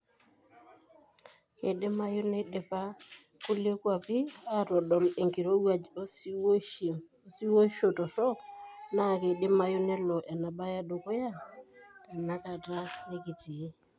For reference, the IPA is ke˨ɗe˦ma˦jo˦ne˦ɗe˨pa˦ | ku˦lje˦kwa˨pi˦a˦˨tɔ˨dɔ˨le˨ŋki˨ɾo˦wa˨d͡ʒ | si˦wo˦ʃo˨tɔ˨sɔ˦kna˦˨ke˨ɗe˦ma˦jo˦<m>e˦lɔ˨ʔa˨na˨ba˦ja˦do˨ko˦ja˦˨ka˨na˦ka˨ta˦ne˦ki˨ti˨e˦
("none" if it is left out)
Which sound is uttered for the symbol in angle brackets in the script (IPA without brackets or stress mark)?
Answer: n